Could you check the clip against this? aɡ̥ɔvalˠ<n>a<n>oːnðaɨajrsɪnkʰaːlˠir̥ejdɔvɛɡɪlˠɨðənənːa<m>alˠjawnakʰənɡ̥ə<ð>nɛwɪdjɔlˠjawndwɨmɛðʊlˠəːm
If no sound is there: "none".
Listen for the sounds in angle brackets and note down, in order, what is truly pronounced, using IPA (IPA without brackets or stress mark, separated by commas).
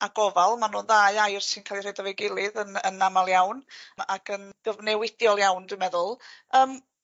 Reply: m, n, m, v